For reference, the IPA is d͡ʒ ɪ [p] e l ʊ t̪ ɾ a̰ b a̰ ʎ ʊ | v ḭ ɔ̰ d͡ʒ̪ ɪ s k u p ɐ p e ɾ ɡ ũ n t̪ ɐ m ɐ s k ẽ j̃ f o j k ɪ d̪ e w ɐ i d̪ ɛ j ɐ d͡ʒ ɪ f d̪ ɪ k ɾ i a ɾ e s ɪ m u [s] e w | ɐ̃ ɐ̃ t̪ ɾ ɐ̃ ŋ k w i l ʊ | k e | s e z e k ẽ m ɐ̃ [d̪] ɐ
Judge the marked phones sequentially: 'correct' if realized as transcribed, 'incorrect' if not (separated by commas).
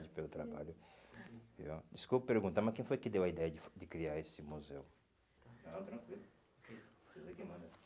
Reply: correct, incorrect, correct